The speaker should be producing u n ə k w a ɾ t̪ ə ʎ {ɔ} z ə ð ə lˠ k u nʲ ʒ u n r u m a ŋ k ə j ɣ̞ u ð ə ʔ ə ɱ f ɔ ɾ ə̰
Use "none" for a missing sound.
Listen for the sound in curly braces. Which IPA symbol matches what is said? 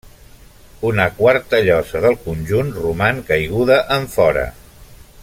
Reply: ɔ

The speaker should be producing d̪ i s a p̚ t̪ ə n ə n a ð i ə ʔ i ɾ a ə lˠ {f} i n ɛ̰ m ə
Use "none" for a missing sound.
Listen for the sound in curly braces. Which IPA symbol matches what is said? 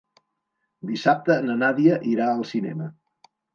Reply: s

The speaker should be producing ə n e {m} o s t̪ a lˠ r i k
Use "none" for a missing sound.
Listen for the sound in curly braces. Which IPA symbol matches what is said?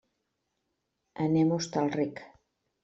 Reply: m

